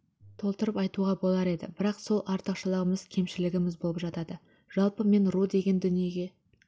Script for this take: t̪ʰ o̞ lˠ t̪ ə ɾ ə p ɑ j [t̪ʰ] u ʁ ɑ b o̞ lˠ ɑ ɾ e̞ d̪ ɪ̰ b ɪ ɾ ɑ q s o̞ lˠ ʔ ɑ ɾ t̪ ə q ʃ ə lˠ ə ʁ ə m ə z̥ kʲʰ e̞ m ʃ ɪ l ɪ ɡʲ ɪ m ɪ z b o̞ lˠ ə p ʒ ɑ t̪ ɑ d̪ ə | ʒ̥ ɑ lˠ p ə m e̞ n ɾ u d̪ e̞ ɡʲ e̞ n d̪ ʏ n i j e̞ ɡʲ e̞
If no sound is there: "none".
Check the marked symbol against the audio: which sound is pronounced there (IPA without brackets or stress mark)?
t̪